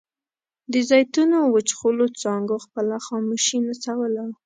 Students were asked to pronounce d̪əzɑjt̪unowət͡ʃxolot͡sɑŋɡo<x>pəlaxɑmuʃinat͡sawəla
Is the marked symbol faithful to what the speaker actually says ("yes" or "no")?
yes